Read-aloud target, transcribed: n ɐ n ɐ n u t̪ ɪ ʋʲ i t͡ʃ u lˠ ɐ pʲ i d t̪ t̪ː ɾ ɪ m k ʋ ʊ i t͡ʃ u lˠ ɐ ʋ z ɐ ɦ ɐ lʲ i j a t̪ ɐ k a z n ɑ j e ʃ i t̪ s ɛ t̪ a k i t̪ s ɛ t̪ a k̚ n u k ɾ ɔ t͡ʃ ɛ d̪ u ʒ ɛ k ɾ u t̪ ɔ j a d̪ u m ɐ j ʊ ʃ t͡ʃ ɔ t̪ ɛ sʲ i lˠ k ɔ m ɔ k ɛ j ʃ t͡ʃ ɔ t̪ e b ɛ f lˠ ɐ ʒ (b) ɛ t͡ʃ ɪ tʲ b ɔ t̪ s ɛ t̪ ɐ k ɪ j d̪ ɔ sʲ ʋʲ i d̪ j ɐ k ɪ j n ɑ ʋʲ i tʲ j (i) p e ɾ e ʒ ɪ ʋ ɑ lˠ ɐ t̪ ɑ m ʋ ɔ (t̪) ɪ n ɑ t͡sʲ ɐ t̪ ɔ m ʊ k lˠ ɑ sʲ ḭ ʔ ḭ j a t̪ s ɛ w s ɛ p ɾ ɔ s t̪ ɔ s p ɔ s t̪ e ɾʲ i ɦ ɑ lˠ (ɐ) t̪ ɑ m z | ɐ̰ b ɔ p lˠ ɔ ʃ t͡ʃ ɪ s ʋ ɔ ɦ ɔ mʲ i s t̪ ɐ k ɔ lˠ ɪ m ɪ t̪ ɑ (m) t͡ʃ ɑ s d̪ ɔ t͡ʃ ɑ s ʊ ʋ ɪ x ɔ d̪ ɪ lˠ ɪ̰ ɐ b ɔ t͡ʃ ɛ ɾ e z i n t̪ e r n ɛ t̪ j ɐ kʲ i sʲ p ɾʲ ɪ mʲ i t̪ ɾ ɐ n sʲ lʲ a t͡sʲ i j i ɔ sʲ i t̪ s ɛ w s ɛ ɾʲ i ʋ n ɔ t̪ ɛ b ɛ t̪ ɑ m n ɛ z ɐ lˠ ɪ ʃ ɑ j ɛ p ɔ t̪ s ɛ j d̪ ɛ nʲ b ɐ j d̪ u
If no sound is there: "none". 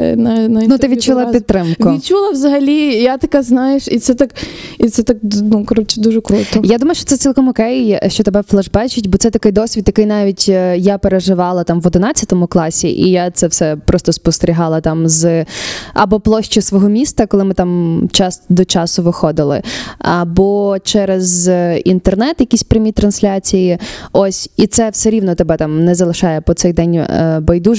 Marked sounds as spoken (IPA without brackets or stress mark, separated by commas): b, a, d̪, ɐ, m